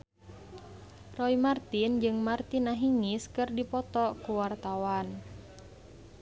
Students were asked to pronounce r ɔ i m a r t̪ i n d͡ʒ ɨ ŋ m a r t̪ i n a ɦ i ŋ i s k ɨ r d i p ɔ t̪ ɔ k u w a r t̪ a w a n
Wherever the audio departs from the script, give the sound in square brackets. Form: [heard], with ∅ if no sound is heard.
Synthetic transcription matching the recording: r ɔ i m a r t̪ i n d͡ʒ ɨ ŋ m a r t̪ i n a ɦ i ŋ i s k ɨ r d i p ɔ t̪ ɔ k u w a r t̪ a w a n

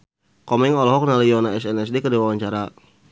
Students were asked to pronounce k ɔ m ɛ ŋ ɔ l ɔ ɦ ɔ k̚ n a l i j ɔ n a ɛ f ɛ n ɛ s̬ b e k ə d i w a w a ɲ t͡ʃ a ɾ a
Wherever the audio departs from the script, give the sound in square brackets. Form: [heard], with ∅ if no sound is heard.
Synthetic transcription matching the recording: k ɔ m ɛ ŋ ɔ l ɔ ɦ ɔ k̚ n a l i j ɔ n a ɛ [s] ɛ n ɛ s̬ [d] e k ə d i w a w a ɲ t͡ʃ a ɾ a

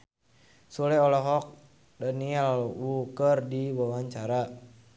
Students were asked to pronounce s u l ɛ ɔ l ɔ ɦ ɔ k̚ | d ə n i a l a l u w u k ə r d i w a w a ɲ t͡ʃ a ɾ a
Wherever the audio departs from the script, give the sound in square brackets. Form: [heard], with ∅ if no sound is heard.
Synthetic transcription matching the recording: s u l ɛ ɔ l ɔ ɦ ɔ k̚ | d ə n i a l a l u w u k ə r d i w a w a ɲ t͡ʃ a ɾ a

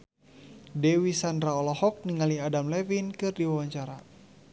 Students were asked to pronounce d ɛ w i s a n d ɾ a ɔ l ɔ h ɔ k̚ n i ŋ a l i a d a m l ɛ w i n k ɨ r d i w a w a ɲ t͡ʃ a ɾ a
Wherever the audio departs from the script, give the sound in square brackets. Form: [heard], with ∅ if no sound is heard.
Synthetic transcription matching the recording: d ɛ w i s a n d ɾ a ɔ l ɔ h ɔ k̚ n i ŋ a l i a d a m l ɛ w i n k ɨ r d i w a w a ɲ t͡ʃ a ɾ a

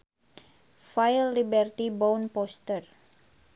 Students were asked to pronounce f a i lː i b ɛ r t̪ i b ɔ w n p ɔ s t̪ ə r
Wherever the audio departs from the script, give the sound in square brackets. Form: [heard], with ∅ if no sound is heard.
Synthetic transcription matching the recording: f a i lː i b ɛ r t̪ i b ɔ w n p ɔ s t̪ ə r

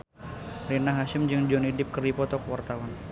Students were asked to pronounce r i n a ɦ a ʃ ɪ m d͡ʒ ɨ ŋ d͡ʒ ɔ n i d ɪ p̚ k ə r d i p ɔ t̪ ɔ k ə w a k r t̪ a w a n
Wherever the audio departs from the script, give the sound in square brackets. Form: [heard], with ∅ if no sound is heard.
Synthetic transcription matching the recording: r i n a ɦ a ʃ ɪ m d͡ʒ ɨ ŋ d͡ʒ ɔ n i d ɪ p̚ k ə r d i p ɔ t̪ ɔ k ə w a [∅] r t̪ a w a n

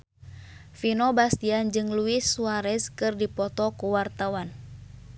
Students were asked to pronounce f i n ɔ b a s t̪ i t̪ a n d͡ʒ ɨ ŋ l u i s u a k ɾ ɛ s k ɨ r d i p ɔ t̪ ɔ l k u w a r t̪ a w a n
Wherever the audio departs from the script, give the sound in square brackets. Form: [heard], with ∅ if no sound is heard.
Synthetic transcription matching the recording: f i n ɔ b a s t̪ i [∅] a n d͡ʒ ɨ ŋ l u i s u a [∅] ɾ ɛ s k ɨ r d i p ɔ t̪ ɔ [∅] k u w a r t̪ a w a n

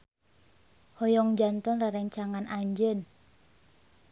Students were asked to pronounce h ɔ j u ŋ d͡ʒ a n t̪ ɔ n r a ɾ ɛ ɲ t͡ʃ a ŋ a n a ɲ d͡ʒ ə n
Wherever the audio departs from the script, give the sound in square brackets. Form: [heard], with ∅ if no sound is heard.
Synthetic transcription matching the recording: h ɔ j [ɔ] ŋ d͡ʒ a n t̪ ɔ n r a ɾ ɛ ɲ t͡ʃ a ŋ a n a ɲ d͡ʒ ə n

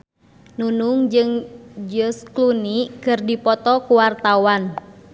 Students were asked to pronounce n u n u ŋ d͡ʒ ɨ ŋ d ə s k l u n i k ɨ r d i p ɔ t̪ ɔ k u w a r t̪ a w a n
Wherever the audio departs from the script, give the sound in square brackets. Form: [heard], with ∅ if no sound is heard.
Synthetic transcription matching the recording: n u n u ŋ d͡ʒ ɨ ŋ [d͡ʒ] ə s k l u n i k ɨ r d i p ɔ t̪ ɔ k u w a r t̪ a w a n

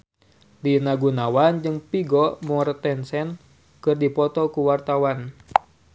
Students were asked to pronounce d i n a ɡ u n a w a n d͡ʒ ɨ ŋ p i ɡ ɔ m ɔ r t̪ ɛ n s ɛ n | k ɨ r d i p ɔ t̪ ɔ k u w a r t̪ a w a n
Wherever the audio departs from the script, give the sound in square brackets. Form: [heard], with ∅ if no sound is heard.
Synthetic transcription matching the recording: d i n a ɡ u n a w a n d͡ʒ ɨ ŋ p i ɡ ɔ m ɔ r t̪ ɛ n s ɛ n | k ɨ r d i p ɔ t̪ ɔ k u w a r t̪ a w a n

